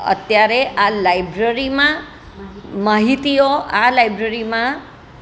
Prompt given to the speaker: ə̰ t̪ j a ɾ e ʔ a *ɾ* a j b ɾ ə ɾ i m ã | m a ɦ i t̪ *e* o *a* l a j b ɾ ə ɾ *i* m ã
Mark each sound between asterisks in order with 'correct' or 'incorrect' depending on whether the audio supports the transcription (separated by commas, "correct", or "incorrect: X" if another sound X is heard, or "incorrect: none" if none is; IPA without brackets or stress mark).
incorrect: l, incorrect: i, correct, correct